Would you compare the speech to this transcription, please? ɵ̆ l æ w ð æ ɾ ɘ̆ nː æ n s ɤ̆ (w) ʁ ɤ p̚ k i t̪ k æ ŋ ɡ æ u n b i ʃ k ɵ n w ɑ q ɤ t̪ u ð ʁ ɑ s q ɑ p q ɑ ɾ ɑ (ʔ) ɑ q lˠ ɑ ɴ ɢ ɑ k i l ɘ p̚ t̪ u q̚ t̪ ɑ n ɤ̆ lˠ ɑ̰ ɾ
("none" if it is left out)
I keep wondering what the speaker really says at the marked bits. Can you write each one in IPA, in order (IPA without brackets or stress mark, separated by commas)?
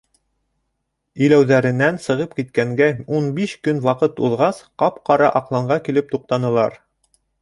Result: none, ʔ